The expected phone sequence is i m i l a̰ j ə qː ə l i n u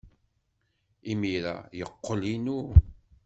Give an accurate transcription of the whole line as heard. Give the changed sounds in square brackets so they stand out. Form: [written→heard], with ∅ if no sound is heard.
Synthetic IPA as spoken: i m i [l→ɾ] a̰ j ə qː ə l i n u